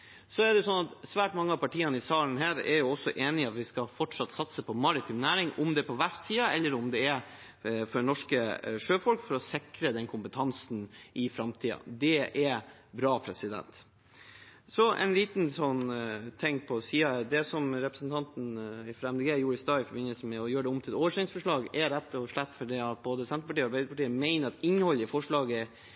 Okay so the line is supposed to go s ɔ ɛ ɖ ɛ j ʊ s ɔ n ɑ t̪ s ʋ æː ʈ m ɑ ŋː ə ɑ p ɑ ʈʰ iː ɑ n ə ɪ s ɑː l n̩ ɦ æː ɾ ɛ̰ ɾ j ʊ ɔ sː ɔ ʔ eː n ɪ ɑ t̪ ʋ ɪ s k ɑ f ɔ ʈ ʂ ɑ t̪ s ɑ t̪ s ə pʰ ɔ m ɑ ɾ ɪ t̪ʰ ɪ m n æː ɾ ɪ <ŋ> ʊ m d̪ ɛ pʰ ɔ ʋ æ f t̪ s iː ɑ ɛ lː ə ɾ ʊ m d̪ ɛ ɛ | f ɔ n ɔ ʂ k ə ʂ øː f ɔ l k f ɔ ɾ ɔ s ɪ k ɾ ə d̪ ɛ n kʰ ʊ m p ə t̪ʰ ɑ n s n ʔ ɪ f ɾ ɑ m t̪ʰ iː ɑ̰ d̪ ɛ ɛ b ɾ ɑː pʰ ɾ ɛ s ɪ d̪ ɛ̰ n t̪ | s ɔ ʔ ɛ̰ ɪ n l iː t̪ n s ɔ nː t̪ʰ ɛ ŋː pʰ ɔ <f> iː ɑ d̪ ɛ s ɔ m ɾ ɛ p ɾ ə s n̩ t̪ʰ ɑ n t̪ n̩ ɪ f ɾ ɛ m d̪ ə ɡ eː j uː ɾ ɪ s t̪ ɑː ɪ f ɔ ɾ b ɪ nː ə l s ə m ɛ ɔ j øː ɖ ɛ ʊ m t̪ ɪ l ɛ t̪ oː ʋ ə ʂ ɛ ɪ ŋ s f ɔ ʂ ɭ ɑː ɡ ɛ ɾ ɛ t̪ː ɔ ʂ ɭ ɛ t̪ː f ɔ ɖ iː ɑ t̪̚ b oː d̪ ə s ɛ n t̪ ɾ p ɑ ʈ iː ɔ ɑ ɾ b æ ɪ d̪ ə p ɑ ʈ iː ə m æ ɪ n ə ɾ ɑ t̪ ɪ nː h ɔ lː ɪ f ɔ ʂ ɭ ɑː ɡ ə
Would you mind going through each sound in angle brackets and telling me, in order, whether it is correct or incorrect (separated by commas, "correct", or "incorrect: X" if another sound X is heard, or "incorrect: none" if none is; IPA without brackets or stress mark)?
correct, incorrect: s